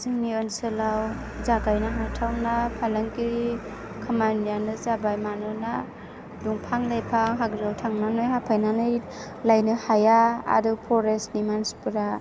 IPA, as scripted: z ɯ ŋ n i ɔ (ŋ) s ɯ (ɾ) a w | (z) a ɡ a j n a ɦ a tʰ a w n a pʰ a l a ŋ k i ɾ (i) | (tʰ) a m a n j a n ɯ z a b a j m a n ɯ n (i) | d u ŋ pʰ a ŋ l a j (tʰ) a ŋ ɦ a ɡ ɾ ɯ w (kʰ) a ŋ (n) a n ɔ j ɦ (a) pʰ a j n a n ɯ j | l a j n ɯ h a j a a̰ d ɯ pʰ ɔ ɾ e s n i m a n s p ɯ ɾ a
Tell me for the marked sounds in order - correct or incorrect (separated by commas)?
incorrect, incorrect, correct, correct, incorrect, incorrect, incorrect, incorrect, correct, correct